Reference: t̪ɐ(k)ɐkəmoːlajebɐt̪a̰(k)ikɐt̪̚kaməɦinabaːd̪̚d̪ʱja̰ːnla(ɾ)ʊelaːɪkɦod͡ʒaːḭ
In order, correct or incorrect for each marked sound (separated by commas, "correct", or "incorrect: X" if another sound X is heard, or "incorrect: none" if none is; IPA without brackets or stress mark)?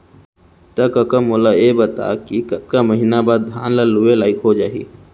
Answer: correct, correct, incorrect: l